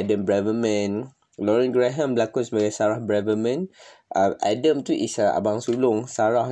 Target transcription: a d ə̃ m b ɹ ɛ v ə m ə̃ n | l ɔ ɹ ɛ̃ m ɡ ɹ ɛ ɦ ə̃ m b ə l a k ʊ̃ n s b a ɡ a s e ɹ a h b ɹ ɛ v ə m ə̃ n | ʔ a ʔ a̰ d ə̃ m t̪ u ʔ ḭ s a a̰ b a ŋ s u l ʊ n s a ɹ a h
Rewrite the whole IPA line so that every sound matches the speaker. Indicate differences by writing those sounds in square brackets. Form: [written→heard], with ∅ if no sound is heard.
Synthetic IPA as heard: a d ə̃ m b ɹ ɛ v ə m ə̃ n | l ɔ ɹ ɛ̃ [m→n] ɡ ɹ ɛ ɦ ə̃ m b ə l a k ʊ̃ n s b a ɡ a s [e→a] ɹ a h b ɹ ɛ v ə m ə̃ n | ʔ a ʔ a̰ d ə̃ m t̪ u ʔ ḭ s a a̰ b a ŋ s u l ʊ [n→ŋ] s a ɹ a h